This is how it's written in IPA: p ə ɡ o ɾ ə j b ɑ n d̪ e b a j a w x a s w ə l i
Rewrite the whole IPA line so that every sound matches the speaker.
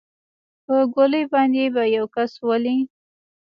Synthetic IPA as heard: p ə ɡ o l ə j b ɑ n d̪ e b a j a w k a s w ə l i